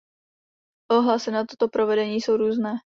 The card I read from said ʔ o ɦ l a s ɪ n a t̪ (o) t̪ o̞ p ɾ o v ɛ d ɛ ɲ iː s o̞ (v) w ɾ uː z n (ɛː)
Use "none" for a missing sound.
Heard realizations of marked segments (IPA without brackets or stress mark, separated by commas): o, none, ɛː